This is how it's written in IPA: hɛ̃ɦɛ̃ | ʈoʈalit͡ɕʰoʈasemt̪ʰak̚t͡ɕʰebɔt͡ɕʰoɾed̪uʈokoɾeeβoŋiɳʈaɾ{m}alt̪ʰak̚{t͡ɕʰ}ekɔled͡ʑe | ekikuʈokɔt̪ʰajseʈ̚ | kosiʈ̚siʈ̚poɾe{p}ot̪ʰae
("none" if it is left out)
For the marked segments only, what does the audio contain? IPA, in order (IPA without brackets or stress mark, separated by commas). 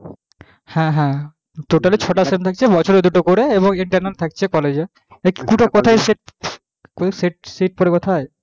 n, t͡ɕʰ, k